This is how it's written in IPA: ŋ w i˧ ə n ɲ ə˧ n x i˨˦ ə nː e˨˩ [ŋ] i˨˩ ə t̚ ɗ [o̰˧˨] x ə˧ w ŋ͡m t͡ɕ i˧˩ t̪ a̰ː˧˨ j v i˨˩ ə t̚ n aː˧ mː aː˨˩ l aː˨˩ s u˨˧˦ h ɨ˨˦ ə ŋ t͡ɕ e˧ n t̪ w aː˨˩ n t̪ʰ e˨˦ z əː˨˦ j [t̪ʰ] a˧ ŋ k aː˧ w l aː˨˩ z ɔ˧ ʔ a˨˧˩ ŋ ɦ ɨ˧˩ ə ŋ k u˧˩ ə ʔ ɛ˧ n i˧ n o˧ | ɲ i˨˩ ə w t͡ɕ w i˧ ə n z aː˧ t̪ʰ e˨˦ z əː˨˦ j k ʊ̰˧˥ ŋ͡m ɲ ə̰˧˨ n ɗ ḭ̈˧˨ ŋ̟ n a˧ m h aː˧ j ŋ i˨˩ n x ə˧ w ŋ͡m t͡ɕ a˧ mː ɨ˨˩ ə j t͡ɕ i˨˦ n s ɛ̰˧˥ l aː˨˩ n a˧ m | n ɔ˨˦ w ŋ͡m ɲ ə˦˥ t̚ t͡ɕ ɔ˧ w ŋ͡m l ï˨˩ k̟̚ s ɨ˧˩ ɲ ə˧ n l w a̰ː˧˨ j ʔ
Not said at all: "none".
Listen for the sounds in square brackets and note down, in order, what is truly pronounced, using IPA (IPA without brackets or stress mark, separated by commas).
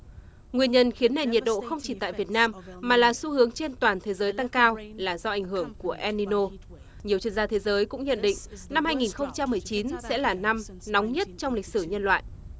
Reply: ɲ, o̰˧˨, t̪